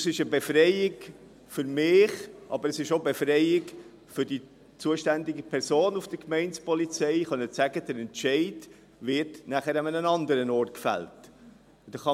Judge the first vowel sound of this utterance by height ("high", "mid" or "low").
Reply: high